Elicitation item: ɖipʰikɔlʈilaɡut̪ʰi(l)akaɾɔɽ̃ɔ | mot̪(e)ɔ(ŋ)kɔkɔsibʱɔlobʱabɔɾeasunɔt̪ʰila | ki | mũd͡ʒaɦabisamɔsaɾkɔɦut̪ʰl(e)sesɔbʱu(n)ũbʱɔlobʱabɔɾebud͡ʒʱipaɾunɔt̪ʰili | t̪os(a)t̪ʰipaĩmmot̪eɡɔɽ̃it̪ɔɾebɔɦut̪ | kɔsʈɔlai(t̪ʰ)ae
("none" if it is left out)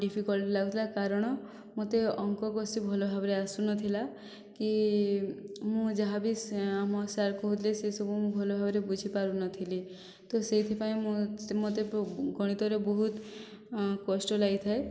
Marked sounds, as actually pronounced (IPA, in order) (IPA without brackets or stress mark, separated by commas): l, e, ŋ, e, m, e, t̪ʰ